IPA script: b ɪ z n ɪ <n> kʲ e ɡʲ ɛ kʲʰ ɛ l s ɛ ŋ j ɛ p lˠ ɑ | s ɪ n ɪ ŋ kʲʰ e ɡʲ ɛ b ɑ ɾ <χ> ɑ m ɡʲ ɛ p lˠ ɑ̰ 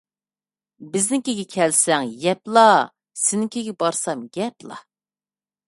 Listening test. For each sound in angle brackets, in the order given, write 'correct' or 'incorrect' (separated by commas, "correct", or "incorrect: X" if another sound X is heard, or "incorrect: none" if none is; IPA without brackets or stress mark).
incorrect: ŋ, incorrect: s